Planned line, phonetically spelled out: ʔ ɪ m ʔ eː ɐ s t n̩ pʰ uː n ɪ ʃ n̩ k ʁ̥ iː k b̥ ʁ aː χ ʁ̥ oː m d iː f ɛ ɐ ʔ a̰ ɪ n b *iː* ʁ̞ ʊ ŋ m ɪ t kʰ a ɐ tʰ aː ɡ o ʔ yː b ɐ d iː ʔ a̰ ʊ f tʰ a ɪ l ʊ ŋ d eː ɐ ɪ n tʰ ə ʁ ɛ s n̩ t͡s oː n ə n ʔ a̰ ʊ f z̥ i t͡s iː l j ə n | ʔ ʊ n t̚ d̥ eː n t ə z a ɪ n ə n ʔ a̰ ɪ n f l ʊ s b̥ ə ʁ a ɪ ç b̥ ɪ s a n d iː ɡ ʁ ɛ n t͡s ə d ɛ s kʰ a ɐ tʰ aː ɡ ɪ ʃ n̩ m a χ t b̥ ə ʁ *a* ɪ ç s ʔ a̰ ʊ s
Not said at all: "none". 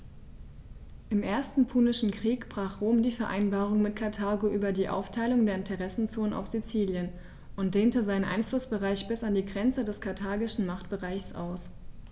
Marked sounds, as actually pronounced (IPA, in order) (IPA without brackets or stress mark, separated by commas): aː, a